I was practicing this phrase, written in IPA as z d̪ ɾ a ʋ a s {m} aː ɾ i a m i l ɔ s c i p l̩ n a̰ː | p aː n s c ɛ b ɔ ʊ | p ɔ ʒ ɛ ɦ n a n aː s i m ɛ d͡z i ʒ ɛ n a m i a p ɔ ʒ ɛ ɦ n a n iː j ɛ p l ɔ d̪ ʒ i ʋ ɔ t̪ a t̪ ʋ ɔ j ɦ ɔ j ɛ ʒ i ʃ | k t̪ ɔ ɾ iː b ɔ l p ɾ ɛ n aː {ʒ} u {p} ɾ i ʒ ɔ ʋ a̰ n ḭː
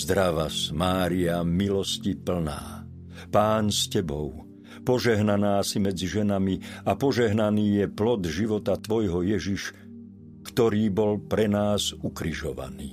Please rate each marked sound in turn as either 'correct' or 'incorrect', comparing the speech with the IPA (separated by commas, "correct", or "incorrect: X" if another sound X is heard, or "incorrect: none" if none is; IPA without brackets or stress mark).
correct, incorrect: z, incorrect: k